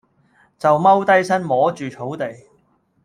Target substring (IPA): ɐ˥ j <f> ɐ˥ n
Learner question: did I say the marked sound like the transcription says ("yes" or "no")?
no